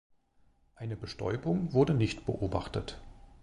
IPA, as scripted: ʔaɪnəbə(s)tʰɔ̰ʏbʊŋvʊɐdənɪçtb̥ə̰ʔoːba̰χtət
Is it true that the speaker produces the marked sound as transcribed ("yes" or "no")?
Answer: no